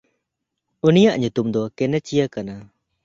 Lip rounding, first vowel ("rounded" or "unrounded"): rounded